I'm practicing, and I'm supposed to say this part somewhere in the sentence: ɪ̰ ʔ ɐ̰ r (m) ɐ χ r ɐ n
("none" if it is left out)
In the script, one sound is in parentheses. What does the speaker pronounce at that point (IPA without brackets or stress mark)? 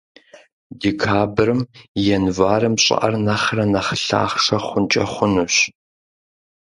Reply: n